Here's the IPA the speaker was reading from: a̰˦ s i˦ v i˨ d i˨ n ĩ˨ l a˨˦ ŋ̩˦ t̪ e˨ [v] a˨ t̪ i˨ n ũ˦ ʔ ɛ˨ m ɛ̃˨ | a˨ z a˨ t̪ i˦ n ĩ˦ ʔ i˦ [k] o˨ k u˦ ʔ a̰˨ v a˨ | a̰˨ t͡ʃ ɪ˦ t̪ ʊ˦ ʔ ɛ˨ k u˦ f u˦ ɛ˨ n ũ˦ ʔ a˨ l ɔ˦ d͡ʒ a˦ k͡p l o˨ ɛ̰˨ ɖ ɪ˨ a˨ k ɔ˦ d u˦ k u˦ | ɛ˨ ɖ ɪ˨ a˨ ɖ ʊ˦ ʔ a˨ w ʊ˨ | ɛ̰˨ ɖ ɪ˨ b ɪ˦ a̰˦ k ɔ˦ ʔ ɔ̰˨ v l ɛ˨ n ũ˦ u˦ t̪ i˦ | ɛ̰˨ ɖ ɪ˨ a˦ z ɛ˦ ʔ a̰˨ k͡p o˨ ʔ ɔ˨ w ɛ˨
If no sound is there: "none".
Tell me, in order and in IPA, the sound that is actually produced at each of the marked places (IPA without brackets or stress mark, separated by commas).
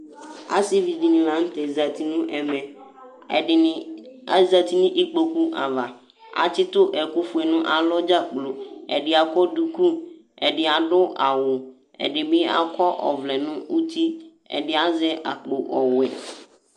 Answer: z, k͡p